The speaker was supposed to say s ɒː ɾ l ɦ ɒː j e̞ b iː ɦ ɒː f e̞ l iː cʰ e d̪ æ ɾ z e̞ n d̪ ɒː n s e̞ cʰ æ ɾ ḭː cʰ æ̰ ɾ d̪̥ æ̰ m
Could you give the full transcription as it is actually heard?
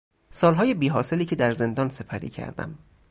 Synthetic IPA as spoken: s ɒː l ɦ ɒː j e̞ b iː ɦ ɒː s e̞ l iː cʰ e d̪ æ ɾ z e̞ n d̪ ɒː n s e̞ pʰ æ ɾ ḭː cʰ æ̰ ɾ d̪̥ æ̰ m